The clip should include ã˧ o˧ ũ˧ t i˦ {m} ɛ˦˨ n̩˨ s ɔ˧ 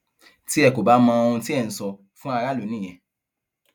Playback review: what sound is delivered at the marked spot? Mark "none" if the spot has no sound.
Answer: none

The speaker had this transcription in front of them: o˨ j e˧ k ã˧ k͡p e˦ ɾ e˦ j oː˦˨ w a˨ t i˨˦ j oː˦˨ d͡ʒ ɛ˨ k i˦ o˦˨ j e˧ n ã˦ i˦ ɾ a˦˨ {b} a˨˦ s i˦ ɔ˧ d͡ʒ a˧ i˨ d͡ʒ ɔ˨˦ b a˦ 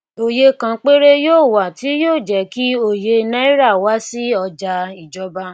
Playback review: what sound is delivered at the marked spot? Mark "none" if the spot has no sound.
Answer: w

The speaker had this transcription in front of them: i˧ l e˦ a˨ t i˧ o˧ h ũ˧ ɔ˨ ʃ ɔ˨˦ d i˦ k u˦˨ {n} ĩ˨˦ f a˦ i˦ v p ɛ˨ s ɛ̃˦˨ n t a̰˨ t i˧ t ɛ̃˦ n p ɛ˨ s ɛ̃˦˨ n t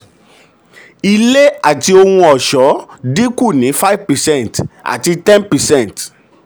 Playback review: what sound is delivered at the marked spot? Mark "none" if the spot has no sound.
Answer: n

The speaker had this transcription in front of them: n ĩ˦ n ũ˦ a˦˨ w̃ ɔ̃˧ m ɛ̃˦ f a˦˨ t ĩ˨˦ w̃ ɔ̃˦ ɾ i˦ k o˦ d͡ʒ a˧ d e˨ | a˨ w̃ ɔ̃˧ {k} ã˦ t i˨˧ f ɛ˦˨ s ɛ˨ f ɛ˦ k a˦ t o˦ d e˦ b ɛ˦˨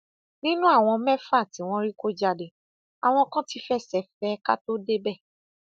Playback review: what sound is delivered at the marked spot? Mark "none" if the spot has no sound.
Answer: k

